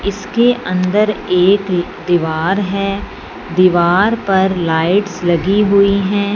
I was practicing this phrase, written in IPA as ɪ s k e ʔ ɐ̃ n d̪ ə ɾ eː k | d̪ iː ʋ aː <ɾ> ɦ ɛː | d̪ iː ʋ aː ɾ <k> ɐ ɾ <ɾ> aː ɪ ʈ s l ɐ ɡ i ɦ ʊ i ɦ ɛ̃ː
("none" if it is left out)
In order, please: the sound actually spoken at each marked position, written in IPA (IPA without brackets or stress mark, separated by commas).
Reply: ɾ, p, l